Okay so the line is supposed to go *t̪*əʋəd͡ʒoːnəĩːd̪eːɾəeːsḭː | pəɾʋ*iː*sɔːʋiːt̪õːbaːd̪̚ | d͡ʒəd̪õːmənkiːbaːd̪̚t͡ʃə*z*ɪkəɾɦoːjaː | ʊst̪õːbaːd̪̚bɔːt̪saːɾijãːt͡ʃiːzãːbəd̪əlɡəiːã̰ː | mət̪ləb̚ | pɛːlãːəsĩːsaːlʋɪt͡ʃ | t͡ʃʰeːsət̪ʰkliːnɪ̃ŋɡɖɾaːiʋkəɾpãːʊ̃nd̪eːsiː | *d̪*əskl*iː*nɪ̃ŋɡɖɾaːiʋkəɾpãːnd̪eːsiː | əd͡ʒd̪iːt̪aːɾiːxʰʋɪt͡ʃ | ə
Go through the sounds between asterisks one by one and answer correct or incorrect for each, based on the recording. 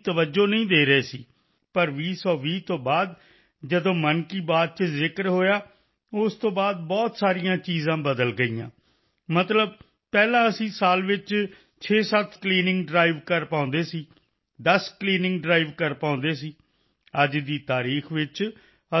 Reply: correct, correct, correct, correct, correct

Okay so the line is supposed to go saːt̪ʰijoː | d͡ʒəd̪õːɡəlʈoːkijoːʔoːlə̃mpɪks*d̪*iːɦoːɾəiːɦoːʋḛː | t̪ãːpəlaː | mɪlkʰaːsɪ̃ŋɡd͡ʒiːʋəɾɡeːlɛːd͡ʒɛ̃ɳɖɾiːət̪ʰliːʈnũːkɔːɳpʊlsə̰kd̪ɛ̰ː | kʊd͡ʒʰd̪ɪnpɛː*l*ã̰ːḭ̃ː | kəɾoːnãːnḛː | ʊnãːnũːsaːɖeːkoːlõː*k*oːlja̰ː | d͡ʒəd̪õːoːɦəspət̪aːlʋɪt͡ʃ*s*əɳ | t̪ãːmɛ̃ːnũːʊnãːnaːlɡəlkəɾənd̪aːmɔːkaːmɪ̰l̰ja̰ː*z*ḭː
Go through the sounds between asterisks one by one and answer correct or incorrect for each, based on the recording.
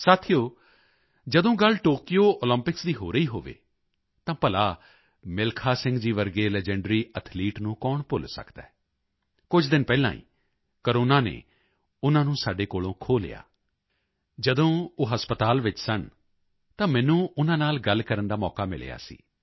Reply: correct, correct, incorrect, correct, incorrect

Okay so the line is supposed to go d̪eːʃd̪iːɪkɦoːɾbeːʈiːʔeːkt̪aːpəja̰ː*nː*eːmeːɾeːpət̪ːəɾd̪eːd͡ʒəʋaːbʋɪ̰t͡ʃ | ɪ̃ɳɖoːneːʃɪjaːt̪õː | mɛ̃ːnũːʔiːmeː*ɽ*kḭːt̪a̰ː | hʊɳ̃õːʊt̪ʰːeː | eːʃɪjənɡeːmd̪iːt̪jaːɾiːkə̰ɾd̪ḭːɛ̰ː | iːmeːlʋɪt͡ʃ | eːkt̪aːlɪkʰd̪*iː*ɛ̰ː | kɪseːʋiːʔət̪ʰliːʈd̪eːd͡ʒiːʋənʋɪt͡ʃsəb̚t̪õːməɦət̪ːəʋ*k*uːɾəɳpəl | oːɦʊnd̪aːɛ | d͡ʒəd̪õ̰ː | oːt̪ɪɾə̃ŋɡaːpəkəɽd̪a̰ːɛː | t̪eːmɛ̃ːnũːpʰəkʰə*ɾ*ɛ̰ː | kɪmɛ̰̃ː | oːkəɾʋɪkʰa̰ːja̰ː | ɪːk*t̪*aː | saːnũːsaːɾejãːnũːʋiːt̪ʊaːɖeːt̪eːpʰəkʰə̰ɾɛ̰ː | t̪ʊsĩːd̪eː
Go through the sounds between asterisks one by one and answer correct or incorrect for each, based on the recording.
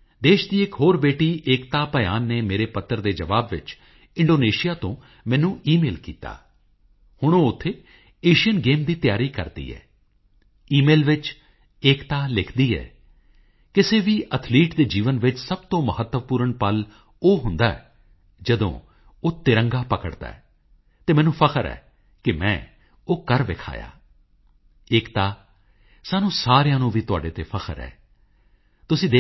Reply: correct, incorrect, correct, incorrect, correct, correct

